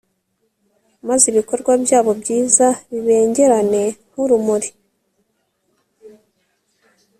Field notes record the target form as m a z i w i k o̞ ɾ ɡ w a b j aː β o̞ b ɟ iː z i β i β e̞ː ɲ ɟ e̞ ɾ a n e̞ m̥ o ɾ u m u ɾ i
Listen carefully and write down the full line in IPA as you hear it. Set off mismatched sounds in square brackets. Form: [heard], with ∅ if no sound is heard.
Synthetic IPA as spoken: m a z i [β] i k o̞ ɾ ɡ w a b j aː β o̞ b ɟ iː z [a] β i β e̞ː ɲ ɟ e̞ ɾ a n e̞ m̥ [u] ɾ u m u ɾ i